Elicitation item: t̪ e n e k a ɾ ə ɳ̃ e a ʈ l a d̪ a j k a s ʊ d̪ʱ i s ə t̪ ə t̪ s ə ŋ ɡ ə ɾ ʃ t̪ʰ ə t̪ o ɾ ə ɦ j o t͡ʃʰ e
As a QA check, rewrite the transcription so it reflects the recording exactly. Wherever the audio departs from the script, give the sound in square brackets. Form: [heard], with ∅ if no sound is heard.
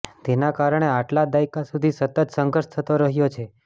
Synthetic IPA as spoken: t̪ e n [a] k a ɾ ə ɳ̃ e a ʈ l a d̪ a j k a s [u] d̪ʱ i s ə t̪ ə t̪ s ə ŋ ɡ ə ɾ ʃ t̪ʰ ə t̪ o ɾ ə ɦ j o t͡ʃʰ e